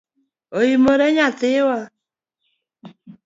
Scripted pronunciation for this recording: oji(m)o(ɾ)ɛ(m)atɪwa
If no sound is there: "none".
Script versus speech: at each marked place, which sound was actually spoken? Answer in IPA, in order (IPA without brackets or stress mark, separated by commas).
m, ɾ, ɲ